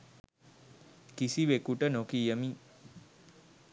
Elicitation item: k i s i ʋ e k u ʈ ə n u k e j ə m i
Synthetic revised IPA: k i s i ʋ e k u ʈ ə n o k i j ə m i